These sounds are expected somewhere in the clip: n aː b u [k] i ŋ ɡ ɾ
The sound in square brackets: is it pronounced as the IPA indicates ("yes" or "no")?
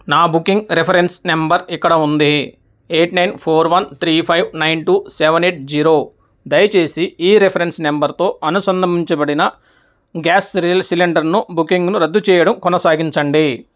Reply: yes